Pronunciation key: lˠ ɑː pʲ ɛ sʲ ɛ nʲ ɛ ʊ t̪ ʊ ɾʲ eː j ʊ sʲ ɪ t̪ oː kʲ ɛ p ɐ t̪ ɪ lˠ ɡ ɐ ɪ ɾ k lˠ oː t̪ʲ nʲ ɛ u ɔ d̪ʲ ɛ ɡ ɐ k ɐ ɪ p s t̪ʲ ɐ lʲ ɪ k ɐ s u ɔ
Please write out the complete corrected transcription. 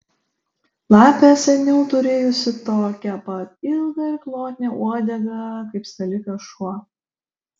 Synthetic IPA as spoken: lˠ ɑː pʲ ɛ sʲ ɛ nʲ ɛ ʊ t̪ ʊ ɾʲ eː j ʊ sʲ ɪ t̪ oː kʲ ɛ p ɐ t̪ ɪ lˠ ɡ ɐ ɪ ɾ k lˠ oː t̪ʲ nʲ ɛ u ɔ d̪ʲ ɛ ɡ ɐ k ɐ ɪ p s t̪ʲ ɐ lʲ ɪ k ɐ ʃ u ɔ